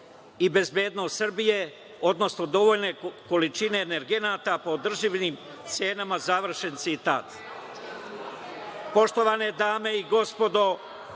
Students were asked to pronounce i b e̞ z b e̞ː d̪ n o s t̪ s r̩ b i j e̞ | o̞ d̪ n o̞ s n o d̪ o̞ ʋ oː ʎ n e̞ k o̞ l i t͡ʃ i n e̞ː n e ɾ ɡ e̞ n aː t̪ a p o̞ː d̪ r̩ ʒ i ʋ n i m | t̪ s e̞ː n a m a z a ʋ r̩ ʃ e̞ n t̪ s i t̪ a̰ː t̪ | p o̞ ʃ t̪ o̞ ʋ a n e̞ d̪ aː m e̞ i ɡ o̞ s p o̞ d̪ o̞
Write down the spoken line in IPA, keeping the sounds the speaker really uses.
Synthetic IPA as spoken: i b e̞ z b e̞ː d̪ n o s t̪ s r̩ b i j e̞ | o̞ d̪ n o̞ s n o d̪ o̞ ʋ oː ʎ n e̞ k o̞ l i t͡ʃ i n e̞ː n e ɾ ɡ e̞ n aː t̪ a p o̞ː d̪ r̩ ʒ i ʋ n i m | t̪ s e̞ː n a m a z a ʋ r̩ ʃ e̞ n t̪ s i t̪ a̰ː t̪ | p o̞ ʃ t̪ o̞ ʋ a n e̞ d̪ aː m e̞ i ɡ o̞ s p o̞ d̪ o̞